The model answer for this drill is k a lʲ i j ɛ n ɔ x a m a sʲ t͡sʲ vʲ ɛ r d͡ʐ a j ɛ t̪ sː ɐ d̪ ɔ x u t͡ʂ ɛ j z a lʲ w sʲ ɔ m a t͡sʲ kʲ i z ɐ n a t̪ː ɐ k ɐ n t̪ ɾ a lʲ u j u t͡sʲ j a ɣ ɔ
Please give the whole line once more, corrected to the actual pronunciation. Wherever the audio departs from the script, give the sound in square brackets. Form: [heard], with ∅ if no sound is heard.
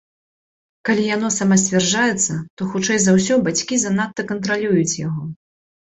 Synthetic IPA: k a lʲ i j [a] n ɔ [s] a m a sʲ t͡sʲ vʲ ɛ r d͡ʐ a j ɛ t̪ sː ɐ [t̪] ɔ x u t͡ʂ ɛ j z a [∅] w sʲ ɔ [b] a t͡sʲ kʲ i z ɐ n a t̪ː ɐ k ɐ n t̪ ɾ a lʲ u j u t͡sʲ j a ɣ ɔ